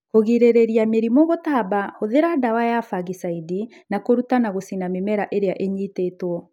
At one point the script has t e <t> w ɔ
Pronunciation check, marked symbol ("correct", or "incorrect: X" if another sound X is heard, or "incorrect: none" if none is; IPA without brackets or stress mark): correct